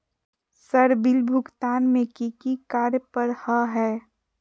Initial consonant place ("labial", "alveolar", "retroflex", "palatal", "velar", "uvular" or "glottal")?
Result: alveolar